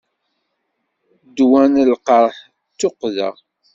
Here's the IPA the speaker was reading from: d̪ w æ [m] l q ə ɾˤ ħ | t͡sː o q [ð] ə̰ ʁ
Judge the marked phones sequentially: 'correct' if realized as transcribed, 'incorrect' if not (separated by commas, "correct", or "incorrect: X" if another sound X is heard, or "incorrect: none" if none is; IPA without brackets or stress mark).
incorrect: n, correct